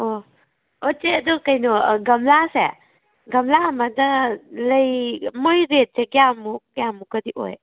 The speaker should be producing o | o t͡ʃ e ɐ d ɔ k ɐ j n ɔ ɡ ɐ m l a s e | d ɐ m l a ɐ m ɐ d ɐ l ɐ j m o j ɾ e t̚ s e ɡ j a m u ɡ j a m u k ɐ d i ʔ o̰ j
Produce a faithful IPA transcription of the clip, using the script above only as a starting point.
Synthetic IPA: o | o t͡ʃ e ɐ d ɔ k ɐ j n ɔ ɡ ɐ m l a s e | ɡ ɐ m l a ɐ m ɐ d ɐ l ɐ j m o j ɾ e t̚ s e ɡ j a m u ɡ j a m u k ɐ d i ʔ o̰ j